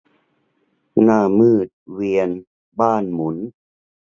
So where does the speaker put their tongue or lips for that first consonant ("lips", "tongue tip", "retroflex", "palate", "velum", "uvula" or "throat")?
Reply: tongue tip